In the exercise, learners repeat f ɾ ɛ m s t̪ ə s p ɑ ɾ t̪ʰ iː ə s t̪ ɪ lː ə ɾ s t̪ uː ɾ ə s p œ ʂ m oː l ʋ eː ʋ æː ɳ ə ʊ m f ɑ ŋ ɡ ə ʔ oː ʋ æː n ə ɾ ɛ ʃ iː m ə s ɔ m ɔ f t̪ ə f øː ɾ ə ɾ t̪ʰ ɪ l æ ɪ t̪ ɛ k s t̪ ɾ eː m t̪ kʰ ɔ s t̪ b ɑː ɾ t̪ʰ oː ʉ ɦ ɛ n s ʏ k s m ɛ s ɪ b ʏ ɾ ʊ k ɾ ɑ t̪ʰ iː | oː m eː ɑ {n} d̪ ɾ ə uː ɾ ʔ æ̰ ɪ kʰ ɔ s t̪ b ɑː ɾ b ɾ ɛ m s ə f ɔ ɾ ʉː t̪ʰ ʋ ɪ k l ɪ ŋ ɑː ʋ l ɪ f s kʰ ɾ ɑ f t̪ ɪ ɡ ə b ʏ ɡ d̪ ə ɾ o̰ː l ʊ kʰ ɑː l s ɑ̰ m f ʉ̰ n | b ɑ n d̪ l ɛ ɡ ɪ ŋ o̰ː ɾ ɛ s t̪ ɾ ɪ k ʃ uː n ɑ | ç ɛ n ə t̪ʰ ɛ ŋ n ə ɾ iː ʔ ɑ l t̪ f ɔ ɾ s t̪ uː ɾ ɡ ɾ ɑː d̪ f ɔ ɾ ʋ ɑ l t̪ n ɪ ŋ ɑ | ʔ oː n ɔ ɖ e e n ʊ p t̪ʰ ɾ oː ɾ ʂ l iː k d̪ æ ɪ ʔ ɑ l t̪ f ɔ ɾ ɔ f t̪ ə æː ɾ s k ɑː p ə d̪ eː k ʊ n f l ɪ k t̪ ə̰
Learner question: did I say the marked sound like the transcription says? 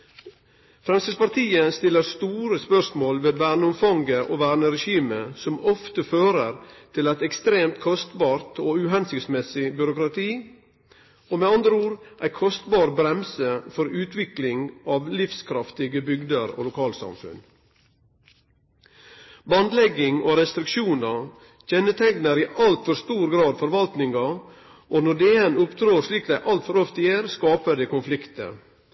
yes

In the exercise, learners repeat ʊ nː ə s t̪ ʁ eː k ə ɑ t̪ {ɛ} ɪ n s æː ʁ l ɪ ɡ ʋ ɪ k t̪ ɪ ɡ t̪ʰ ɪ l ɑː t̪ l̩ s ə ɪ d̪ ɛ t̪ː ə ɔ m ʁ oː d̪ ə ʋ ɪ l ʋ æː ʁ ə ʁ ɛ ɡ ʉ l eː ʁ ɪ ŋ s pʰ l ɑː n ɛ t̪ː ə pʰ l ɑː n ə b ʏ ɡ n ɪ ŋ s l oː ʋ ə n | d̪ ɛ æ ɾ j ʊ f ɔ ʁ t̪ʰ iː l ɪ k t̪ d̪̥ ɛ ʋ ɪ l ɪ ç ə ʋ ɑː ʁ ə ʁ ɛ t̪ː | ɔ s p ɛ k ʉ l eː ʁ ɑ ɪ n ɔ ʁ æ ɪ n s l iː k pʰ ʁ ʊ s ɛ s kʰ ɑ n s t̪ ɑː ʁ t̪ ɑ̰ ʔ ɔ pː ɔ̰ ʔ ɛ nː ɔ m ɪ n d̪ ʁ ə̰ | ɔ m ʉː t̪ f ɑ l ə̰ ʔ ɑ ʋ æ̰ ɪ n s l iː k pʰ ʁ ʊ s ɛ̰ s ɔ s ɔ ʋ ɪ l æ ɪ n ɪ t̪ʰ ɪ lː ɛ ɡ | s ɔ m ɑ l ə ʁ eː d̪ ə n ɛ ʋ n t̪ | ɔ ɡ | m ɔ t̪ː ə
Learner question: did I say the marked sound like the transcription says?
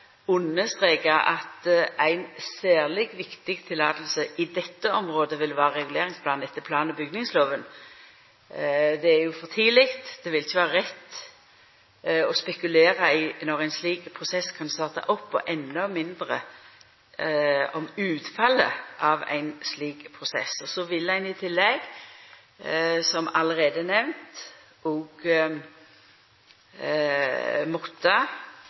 no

